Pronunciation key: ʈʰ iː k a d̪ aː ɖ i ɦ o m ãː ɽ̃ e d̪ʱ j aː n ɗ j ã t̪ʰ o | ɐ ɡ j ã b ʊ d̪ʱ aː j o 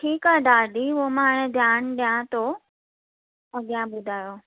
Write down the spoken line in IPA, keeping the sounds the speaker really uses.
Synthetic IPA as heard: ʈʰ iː k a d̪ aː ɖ i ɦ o m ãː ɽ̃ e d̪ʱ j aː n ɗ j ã t̪ o | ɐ ɡ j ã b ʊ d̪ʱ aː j o